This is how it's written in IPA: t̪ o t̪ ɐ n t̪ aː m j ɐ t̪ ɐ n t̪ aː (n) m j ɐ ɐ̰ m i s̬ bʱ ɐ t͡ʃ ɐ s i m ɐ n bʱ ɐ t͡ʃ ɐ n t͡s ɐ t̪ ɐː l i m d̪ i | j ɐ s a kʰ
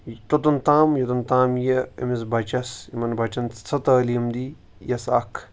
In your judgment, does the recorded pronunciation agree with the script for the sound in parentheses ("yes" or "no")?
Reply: no